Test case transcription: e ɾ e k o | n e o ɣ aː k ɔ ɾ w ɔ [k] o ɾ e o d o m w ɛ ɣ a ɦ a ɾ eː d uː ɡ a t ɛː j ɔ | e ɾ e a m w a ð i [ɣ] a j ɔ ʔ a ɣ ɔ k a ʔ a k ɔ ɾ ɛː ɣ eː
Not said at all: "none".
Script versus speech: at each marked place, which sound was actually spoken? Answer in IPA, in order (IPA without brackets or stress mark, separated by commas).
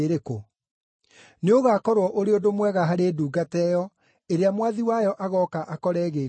ʔ, w